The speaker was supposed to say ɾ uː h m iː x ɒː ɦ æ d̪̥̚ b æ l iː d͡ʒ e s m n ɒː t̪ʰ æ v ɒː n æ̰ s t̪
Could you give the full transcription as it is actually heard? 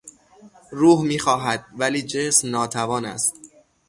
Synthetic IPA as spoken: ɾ uː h m iː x ɒː ɦ æ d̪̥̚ v æ l iː d͡ʒ e s m n ɒː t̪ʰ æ v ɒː n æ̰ s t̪

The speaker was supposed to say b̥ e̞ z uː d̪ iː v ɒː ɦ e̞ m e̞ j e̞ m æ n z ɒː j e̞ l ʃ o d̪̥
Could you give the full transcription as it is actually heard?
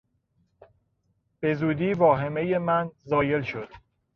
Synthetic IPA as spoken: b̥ e̞ z uː d̪ iː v ɒː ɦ e̞ m e̞ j e̞ m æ n z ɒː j e̞ l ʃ o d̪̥

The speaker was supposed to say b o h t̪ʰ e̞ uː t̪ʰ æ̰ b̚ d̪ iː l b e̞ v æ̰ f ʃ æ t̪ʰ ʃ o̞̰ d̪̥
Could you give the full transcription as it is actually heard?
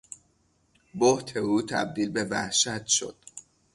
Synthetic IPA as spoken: b o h t̪ʰ e̞ uː t̪ʰ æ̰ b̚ d̪ iː l b e̞ v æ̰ h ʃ æ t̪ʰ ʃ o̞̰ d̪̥

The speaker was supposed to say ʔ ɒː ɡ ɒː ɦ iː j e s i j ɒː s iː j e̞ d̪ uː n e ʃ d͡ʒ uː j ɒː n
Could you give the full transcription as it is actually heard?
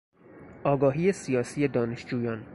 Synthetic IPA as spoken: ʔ ɒː ɡ ɒː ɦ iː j e s i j ɒː s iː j e̞ d̪ ɒː n e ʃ d͡ʒ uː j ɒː n

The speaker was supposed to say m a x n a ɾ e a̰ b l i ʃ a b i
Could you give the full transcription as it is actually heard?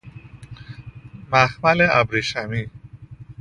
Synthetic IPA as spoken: m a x m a l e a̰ b ɾ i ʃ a m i

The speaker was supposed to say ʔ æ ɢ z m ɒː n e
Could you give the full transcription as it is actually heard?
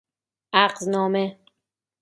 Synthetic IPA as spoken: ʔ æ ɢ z n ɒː m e

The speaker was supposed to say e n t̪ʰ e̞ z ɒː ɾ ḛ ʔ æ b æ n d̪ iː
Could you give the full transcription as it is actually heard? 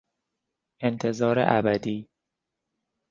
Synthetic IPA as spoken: e n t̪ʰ e̞ z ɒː ɾ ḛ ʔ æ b æ d̪ iː

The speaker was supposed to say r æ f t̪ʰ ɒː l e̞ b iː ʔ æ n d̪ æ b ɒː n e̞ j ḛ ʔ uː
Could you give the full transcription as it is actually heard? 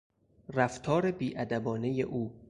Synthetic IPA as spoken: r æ f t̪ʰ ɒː ɾ e̞ b iː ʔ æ d̪ æ b ɒː n e̞ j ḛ ʔ uː

